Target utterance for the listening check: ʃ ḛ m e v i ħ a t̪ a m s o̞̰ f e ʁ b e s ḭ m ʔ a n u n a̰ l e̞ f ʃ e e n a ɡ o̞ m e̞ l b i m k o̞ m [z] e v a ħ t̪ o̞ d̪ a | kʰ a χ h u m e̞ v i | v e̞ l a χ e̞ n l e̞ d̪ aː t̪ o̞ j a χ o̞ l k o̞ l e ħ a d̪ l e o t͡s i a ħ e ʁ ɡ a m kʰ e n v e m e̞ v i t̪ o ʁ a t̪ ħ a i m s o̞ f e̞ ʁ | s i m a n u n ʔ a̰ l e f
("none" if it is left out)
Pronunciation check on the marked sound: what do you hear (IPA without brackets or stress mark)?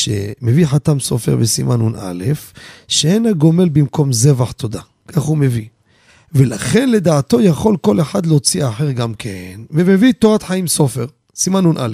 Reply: z